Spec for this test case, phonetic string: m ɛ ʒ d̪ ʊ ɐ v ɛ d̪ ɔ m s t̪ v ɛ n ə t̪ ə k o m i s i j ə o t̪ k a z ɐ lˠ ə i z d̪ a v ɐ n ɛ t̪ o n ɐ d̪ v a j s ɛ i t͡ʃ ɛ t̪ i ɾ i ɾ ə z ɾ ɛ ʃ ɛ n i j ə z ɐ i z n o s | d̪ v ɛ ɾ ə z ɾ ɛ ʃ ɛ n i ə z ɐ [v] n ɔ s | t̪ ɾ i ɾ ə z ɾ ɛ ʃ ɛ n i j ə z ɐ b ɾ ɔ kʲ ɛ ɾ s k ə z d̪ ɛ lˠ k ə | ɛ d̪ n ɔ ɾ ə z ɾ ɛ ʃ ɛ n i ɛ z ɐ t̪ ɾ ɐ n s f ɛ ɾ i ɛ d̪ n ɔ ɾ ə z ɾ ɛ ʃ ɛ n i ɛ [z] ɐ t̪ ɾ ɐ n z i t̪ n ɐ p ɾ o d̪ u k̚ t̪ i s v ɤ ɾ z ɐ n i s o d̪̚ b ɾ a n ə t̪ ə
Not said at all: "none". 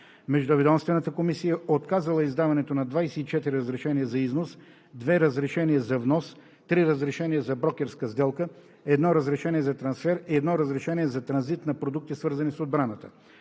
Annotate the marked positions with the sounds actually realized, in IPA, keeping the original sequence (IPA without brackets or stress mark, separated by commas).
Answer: v, z